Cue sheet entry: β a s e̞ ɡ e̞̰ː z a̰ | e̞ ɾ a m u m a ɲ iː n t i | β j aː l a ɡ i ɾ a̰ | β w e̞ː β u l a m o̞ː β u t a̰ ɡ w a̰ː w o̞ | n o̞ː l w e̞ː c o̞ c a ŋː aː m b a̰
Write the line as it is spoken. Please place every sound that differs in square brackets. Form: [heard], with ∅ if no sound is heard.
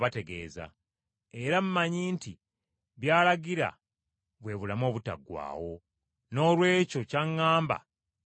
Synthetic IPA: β a [t] e̞ ɡ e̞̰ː z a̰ | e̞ ɾ a m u m a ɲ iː n t i | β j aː l a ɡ i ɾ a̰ | β w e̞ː β u l a m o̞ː β u t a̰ ɡ w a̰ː w o̞ | n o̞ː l w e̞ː c o̞ c a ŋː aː m b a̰